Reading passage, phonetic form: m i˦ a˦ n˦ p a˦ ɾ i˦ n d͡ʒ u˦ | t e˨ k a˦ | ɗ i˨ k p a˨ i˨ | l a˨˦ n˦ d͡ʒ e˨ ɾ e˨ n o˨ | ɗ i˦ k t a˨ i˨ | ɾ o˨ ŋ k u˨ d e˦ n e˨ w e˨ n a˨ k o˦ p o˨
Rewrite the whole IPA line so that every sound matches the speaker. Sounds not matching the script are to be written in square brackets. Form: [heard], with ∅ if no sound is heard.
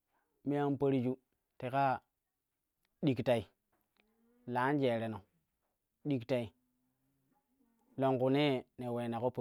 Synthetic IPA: m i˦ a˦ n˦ p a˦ ɾ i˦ [∅] d͡ʒ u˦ | t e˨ k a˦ | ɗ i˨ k [t] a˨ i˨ | l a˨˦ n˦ d͡ʒ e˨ ɾ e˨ n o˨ | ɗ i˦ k t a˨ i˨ | [l] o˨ ŋ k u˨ [n] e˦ n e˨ w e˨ n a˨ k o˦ p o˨